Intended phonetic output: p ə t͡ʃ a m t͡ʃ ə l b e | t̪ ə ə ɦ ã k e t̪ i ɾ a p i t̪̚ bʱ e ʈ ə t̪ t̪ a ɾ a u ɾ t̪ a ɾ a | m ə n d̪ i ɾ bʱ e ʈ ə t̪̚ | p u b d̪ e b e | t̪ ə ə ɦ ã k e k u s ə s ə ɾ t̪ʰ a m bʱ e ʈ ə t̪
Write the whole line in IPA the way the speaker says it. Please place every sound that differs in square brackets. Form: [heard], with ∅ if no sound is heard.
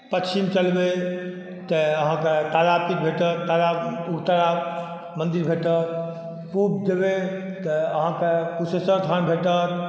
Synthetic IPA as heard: p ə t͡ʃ [i] m t͡ʃ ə l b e | t̪ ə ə ɦ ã k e t̪ [a] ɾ a p i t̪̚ bʱ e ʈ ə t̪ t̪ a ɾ a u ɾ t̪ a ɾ a | m ə n d̪ i ɾ bʱ e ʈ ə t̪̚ | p u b d̪ e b e | t̪ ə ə ɦ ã k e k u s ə s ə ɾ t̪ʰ a [n] bʱ e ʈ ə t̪

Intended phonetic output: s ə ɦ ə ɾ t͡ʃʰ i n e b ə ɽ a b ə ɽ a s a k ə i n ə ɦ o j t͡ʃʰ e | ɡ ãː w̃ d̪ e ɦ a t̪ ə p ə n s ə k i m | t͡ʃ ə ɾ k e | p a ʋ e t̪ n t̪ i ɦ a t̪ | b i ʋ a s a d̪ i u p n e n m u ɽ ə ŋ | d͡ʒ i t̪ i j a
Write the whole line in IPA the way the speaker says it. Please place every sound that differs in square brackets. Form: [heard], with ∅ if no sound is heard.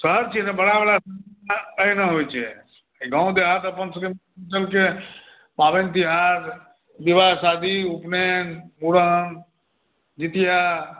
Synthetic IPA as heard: s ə ɦ ə ɾ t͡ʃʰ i n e b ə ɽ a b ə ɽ a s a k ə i n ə ɦ o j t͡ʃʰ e | ɡ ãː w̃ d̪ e ɦ a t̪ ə p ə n s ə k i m | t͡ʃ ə [l] k e | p a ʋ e [∅] n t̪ i ɦ a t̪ | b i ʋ a s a d̪ i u p n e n m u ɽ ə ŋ | d͡ʒ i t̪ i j a

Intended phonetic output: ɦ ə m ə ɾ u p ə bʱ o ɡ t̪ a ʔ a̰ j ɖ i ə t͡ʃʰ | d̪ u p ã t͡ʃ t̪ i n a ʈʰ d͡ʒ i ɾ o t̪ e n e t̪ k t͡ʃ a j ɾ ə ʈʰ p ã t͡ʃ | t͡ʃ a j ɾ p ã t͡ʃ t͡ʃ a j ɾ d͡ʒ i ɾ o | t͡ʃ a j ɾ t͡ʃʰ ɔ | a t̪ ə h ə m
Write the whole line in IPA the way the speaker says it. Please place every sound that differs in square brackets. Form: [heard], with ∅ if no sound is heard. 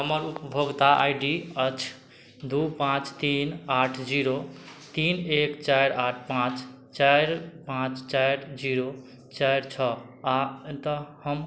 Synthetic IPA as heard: ɦ ə m ə ɾ u p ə bʱ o ɡ t̪ a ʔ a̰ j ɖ i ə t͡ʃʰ | d̪ u p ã t͡ʃ t̪ i n a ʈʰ d͡ʒ i ɾ o t̪ [i] n e [∅] k t͡ʃ a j ɾ [a] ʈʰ p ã t͡ʃ | t͡ʃ a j ɾ p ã t͡ʃ t͡ʃ a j ɾ d͡ʒ i ɾ o | t͡ʃ a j ɾ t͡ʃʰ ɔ | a t̪ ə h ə m

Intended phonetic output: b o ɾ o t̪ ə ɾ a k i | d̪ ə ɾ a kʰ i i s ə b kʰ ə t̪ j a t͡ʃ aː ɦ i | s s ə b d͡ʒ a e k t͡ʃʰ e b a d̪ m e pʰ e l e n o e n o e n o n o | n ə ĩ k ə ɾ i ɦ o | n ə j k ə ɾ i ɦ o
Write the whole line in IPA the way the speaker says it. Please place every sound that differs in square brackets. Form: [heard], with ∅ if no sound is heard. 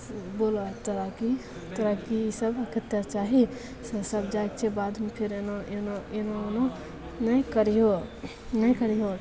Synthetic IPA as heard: b o [l] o t̪ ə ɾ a k i | [t̪] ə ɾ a [k] i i s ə b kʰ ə t̪ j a t͡ʃ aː ɦ i | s s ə b d͡ʒ a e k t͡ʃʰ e b a d̪ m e pʰ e [ɾ] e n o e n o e n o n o | n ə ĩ k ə ɾ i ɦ o | n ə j k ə ɾ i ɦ o

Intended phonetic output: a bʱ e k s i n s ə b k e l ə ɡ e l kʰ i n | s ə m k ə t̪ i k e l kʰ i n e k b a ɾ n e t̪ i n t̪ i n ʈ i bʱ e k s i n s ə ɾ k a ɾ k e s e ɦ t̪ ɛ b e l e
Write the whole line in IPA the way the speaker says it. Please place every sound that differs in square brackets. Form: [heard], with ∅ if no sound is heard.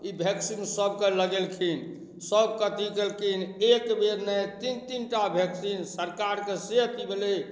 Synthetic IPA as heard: [i] bʱ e k s i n s ə b k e l ə ɡ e l kʰ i n | s ə [b] k ə t̪ i k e l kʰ i n e k b [e] ɾ n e t̪ i n t̪ i n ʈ [a] bʱ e k s i n s ə ɾ k a ɾ k e s e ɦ t̪ [i] b e l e

